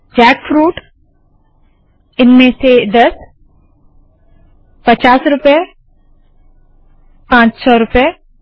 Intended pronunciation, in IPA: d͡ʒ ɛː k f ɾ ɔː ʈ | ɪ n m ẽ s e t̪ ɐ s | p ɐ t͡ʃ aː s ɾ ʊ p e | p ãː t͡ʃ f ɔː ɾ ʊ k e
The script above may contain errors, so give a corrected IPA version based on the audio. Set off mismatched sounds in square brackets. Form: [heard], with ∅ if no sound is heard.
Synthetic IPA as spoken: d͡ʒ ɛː k f ɾ [uː] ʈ | ɪ n m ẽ s e [d̪] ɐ s | p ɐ t͡ʃ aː s ɾ ʊ p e | p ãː t͡ʃ [s] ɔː ɾ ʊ [p] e